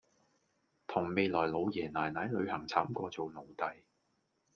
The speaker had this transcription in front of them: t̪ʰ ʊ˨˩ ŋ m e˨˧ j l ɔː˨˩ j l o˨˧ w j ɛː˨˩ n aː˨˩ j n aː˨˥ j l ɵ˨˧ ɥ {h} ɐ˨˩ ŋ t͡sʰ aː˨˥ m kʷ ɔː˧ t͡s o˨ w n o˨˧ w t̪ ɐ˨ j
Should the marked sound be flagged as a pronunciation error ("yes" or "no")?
no